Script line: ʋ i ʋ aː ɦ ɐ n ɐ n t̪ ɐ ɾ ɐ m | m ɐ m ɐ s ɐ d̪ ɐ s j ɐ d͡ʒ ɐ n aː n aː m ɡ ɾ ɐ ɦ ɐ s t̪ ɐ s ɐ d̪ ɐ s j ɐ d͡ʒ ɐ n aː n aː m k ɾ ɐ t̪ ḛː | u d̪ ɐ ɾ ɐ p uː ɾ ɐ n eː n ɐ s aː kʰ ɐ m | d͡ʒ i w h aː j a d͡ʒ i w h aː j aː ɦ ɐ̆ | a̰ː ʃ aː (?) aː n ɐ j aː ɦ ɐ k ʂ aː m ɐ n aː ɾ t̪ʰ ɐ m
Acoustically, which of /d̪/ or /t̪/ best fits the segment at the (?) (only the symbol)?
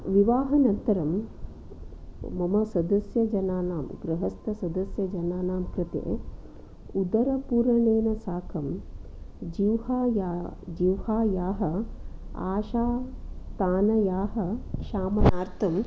t̪